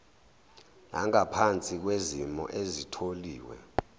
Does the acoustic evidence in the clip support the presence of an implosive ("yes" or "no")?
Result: no